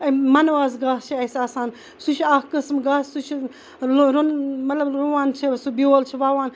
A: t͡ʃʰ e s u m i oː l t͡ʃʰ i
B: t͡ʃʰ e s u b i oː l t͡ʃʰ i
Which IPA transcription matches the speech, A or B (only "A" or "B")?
B